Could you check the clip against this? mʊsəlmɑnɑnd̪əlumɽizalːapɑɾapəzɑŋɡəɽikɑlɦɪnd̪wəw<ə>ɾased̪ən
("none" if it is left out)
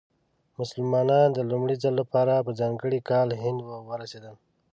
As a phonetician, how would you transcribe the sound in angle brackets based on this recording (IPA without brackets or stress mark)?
ə